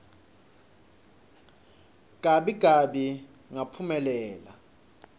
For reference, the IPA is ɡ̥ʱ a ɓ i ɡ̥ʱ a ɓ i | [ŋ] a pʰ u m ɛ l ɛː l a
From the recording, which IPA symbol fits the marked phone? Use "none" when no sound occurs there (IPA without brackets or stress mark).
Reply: ŋ